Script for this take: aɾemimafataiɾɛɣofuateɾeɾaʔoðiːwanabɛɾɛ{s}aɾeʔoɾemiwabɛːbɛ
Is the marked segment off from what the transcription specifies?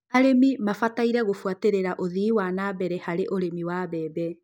yes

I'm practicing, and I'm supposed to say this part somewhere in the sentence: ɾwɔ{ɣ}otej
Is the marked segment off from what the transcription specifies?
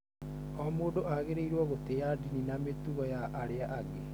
no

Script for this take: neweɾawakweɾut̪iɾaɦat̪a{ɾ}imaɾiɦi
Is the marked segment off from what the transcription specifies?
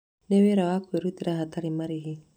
no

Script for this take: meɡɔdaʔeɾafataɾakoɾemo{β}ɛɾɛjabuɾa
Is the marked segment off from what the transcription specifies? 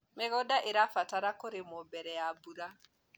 yes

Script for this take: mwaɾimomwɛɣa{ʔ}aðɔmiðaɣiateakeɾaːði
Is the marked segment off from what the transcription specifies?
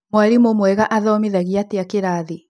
no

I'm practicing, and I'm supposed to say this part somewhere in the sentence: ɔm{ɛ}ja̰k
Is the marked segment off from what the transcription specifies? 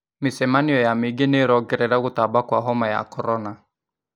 yes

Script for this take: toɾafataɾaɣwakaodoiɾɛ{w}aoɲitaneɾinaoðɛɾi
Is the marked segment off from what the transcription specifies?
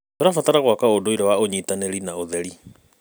no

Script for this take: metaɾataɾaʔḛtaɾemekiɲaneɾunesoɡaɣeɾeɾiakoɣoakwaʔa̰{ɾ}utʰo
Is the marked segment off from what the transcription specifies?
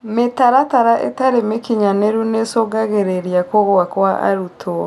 no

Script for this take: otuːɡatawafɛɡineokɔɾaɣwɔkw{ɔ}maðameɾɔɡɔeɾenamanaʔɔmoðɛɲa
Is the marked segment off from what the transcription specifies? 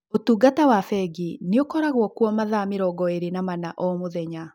no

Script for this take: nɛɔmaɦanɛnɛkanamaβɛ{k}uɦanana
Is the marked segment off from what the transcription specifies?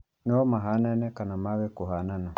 no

